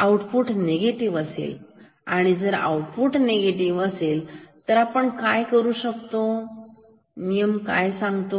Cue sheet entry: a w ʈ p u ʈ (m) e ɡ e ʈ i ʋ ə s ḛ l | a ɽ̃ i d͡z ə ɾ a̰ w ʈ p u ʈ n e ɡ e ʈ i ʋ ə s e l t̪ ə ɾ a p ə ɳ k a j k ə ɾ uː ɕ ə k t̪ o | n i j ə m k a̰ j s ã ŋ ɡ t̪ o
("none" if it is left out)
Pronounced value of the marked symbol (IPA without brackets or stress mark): n